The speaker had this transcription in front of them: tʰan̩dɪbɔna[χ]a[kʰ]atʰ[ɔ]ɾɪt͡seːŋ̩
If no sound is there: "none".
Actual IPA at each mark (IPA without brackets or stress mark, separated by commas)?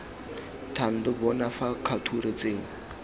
f, kʰ, u